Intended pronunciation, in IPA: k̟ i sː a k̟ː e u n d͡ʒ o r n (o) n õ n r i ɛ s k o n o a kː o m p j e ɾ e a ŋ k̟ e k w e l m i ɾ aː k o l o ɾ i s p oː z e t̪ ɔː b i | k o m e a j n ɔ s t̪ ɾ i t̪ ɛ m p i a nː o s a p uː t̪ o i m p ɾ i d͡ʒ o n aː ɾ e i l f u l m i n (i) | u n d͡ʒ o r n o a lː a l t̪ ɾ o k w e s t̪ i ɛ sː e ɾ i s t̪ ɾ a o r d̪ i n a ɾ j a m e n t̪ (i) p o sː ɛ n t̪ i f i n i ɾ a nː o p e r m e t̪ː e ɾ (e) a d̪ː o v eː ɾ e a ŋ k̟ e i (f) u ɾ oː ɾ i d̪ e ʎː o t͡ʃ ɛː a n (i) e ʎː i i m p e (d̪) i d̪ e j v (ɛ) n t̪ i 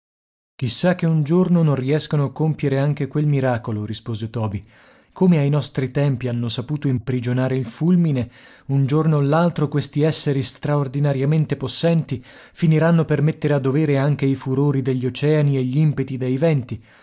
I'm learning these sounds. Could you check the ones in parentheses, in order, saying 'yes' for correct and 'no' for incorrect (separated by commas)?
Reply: yes, no, no, yes, yes, yes, no, yes